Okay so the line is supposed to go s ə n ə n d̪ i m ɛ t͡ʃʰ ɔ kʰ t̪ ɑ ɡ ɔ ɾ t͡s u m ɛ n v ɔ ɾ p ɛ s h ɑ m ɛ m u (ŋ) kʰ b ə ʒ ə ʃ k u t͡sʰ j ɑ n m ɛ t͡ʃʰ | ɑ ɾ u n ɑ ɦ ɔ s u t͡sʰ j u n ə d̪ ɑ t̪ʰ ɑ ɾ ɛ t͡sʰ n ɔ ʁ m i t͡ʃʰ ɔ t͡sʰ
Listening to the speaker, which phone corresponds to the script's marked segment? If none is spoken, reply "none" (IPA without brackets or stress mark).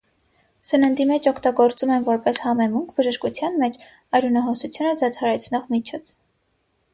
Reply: ŋ